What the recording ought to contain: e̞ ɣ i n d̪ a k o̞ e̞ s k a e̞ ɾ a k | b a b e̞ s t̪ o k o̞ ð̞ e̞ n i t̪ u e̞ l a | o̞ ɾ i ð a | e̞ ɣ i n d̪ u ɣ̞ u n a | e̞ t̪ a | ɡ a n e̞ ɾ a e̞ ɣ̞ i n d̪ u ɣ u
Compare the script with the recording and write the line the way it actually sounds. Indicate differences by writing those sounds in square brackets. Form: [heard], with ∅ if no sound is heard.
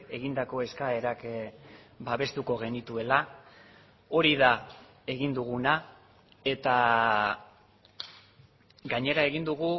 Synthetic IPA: e̞ ɣ i n d̪ a k o̞ e̞ s k a e̞ ɾ a k | b a [β] e̞ s t̪ [u] k o̞ [ɣ̞] e̞ n i t̪ u e̞ l a | o̞ ɾ i ð a | e̞ ɣ i n d̪ u ɣ̞ u n a | e̞ t̪ a | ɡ a [ɲ] e̞ ɾ a e̞ ɣ̞ i n d̪ u ɣ u